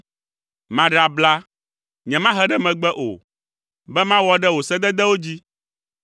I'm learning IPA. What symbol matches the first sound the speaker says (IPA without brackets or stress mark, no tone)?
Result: m